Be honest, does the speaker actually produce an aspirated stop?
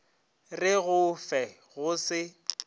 no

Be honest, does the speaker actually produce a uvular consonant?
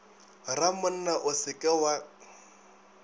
no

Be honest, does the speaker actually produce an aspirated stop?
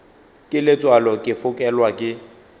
no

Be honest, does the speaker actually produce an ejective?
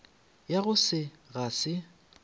no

